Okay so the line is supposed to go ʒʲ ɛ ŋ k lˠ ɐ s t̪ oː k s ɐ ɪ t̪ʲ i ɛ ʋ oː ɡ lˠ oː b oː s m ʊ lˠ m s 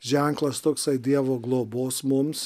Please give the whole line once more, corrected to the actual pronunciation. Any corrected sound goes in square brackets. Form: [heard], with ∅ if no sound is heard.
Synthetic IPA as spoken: ʒʲ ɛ ŋ k lˠ ɐ s t̪ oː k s ɐ ɪ [d̪ʲ] i ɛ ʋ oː ɡ lˠ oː b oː s m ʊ [∅] m s